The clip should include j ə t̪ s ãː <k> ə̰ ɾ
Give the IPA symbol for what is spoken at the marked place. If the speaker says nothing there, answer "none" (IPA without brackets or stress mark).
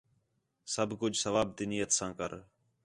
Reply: k